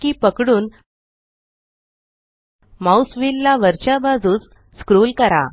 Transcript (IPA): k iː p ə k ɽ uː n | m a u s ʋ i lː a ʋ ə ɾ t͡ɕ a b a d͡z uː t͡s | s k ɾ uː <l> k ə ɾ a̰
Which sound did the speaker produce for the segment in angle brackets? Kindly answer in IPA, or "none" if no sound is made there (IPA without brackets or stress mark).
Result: l